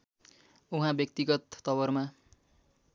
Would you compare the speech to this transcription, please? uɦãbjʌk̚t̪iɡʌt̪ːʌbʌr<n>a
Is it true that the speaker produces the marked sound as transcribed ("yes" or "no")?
no